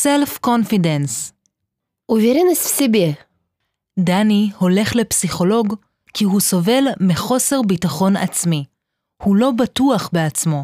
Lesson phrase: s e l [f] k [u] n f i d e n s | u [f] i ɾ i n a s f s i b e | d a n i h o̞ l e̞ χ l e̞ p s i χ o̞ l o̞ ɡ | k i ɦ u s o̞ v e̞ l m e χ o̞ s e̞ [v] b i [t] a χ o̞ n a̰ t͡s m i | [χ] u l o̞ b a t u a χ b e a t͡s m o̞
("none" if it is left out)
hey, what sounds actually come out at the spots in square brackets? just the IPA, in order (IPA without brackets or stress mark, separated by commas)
f, o, v, ʁ, t, h